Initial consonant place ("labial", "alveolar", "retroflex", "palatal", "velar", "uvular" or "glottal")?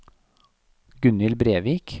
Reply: velar